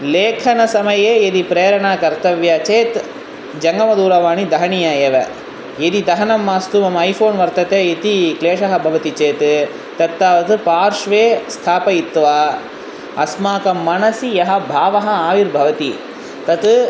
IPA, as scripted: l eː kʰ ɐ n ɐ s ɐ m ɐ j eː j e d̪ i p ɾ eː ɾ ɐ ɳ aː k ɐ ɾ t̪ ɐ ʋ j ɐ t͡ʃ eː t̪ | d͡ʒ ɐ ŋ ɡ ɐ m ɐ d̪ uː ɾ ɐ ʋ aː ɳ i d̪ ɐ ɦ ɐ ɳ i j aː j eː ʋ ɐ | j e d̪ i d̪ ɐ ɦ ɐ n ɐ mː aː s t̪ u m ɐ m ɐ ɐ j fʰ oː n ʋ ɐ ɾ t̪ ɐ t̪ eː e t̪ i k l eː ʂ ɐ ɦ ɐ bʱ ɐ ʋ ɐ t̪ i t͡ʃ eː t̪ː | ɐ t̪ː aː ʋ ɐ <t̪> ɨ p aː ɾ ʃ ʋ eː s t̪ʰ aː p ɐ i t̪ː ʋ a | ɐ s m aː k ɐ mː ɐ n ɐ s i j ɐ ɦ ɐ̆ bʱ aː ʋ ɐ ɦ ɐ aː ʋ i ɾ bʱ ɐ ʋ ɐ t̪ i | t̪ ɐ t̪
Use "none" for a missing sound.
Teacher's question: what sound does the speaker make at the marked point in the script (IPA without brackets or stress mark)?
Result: t̪